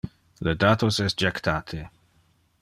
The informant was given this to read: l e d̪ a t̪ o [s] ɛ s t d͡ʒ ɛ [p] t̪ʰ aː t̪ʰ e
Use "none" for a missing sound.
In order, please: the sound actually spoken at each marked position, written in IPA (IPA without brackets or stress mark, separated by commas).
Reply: s, k